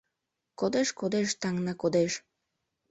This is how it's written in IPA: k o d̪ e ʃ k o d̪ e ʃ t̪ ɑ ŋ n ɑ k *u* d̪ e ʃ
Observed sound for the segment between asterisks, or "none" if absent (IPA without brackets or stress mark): o